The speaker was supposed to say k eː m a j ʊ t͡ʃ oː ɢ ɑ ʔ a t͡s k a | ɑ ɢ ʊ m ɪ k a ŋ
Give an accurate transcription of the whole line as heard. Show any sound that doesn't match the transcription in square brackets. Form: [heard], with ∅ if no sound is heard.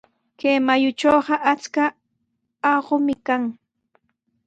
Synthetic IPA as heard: k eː m a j ʊ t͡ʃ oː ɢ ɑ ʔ a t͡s k a | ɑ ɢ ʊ m ɪ k a ŋ